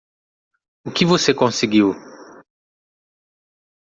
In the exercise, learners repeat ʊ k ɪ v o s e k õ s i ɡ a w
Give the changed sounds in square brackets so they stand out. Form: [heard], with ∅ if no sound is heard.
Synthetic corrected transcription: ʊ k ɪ v o s e k õ s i ɡ [i] w